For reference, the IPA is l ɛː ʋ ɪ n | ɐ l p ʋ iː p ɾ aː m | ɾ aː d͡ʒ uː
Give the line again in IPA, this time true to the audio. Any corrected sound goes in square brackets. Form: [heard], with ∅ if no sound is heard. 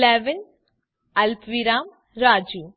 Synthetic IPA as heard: l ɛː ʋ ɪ n | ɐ l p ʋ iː [∅] ɾ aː m | ɾ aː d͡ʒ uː